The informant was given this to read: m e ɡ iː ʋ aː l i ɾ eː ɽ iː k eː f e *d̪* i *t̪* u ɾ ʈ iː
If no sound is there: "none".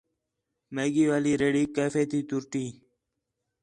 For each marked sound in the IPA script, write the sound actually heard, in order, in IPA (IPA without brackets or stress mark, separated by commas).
t̪, t̪